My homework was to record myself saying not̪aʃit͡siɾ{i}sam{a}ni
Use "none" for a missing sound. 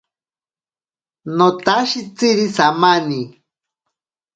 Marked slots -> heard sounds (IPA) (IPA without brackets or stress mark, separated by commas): i, a